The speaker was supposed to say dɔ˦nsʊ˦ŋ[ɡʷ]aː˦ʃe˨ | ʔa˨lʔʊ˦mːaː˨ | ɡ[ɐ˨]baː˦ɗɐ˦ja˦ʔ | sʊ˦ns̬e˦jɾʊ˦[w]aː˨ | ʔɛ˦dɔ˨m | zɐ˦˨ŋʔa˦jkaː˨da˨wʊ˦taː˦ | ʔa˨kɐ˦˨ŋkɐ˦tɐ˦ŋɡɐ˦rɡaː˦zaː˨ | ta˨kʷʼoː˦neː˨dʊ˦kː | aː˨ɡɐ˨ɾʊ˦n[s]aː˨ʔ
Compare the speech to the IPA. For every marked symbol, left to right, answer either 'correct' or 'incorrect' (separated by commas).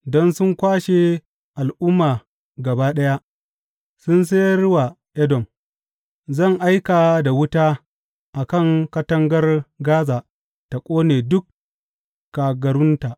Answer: incorrect, correct, correct, incorrect